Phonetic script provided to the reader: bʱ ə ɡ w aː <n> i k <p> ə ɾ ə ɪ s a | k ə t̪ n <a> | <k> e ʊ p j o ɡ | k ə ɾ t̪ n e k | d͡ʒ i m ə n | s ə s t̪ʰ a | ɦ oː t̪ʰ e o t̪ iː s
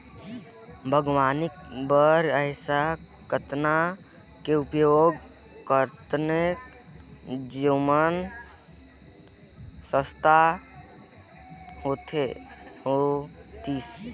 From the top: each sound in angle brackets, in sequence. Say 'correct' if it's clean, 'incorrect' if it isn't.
correct, incorrect: b, correct, correct

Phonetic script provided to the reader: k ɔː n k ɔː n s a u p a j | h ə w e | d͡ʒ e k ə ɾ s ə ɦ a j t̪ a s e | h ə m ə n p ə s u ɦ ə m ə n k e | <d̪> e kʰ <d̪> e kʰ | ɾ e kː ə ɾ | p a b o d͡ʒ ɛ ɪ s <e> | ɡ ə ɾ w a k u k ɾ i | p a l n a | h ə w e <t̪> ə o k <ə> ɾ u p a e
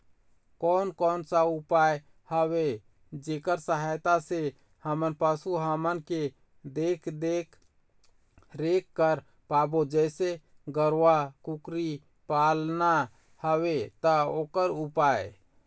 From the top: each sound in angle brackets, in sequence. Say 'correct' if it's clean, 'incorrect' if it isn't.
correct, correct, correct, correct, correct

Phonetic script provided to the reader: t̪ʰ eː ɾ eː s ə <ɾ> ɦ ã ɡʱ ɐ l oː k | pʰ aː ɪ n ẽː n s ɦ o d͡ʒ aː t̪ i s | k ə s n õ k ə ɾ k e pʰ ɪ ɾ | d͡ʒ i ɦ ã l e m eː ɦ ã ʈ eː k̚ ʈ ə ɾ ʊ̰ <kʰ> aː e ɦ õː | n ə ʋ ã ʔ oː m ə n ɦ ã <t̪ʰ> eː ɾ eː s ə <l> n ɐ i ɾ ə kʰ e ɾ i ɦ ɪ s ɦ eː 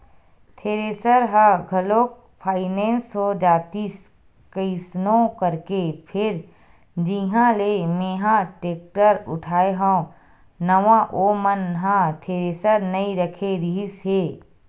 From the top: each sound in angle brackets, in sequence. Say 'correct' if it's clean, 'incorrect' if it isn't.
correct, incorrect: ʈʰ, correct, incorrect: ɾ

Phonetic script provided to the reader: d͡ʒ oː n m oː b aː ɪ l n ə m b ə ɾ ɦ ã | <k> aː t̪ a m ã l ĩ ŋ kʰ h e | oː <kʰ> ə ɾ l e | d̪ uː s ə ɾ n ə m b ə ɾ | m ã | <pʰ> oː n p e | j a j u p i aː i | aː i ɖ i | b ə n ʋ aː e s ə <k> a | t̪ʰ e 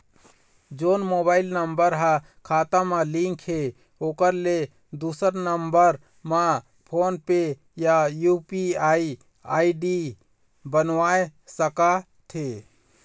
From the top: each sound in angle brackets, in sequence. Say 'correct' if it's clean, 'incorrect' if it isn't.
incorrect: kʰ, incorrect: k, correct, correct

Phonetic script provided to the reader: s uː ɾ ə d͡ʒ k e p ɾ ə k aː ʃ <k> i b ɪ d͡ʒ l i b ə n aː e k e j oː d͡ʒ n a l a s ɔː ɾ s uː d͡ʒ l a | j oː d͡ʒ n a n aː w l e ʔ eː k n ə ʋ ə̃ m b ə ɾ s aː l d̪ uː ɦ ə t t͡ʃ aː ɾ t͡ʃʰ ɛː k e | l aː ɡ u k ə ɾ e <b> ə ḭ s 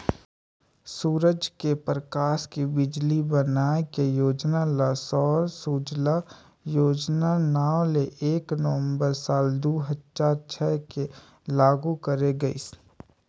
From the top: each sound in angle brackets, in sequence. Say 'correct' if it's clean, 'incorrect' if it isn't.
correct, incorrect: ɡ

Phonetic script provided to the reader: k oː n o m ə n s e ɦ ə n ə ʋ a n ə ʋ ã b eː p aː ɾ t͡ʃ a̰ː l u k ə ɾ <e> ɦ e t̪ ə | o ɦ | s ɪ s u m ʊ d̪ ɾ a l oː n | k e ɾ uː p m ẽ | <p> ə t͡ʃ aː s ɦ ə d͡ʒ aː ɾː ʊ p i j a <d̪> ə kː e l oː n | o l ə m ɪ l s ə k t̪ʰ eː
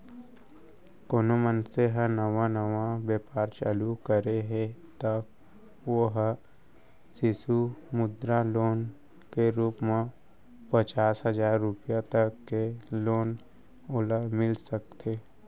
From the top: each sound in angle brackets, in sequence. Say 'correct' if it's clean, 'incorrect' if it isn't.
correct, correct, incorrect: t̪

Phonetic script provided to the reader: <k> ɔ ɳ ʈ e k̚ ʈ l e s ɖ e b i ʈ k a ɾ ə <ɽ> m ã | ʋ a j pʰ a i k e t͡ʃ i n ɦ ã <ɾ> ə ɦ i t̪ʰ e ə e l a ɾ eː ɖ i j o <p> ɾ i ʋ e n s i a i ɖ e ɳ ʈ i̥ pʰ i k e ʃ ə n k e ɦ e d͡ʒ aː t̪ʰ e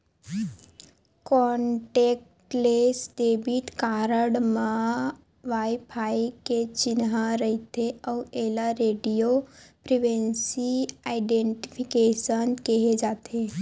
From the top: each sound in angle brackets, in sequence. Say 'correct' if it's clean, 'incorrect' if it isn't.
correct, correct, correct, correct

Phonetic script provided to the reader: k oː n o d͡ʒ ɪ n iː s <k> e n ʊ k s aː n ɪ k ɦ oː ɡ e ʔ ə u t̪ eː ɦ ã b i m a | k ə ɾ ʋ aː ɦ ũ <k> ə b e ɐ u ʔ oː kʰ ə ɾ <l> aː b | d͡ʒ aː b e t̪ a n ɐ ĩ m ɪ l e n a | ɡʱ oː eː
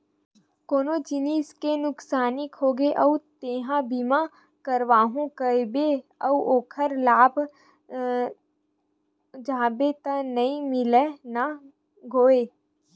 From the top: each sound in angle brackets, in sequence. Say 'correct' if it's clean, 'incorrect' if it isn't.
correct, correct, correct

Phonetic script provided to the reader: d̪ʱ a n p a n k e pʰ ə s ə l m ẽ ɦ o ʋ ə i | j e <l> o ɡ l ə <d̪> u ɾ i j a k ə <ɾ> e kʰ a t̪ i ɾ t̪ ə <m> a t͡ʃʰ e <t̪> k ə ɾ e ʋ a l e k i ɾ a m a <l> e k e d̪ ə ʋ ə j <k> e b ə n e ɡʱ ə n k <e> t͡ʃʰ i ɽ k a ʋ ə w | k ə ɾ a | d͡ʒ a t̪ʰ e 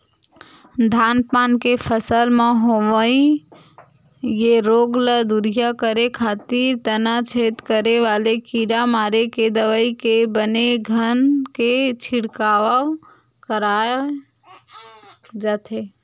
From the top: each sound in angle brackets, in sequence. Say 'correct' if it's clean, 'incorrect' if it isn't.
incorrect: ɾ, correct, correct, incorrect: n, correct, incorrect: ɾ, correct, correct

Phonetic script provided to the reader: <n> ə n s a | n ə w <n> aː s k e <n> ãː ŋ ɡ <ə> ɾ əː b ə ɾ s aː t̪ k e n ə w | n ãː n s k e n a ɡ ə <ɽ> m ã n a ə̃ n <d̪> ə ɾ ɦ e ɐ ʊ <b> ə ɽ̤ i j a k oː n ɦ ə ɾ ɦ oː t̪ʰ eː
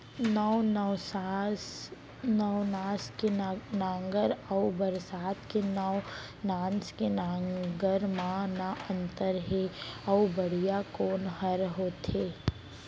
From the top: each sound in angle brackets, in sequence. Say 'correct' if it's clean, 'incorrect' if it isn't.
correct, correct, correct, correct, incorrect: ɾ, incorrect: t̪, correct

